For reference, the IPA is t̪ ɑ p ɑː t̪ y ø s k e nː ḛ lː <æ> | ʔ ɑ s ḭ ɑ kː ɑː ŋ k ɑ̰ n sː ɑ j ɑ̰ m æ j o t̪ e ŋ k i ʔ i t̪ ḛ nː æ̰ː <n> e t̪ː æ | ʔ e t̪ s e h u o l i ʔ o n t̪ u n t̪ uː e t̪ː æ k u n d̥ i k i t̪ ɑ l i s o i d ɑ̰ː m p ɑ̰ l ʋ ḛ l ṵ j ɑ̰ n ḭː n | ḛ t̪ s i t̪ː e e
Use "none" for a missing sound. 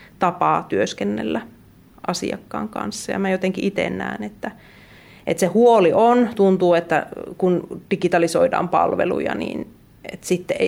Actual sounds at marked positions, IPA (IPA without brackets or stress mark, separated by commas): æ, n